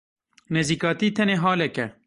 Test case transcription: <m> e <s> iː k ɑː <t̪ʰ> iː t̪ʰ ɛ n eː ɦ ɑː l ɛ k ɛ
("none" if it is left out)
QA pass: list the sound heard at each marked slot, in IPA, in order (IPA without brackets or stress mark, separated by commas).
n, z, t̪